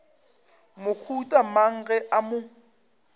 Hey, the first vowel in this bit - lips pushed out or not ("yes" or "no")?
yes